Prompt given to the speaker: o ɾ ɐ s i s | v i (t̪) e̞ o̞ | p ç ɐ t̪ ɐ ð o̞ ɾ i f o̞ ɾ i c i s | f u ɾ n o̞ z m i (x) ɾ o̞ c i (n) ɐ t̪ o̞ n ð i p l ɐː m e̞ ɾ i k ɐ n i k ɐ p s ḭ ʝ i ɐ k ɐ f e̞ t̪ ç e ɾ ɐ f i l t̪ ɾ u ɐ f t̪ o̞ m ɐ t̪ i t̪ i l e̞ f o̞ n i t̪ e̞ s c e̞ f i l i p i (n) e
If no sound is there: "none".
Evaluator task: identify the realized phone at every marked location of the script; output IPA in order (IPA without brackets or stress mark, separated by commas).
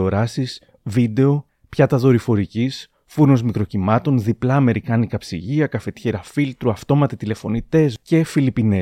d̪, k, m, n